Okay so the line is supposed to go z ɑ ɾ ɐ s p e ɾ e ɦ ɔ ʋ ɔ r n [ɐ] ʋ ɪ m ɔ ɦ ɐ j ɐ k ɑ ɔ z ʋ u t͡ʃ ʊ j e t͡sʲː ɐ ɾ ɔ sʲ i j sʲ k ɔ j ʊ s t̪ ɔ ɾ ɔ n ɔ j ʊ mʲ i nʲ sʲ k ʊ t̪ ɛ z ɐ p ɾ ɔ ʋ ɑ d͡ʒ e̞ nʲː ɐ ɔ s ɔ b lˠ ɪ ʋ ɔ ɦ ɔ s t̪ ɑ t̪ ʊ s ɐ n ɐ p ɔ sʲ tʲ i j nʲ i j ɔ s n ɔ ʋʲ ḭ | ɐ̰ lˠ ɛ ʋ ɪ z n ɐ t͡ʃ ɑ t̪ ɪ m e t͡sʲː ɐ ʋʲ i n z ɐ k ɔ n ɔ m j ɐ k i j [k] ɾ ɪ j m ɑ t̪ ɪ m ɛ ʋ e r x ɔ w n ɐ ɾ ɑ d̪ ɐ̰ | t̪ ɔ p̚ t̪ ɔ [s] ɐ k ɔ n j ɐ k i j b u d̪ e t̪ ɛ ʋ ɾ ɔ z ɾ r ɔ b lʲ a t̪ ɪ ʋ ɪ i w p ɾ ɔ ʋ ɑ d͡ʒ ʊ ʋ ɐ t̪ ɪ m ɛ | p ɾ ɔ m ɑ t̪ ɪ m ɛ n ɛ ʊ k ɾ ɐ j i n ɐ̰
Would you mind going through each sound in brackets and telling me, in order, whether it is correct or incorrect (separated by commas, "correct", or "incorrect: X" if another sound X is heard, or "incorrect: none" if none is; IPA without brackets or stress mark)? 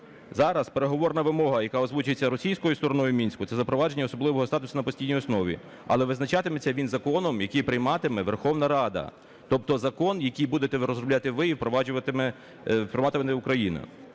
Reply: correct, incorrect: p, incorrect: z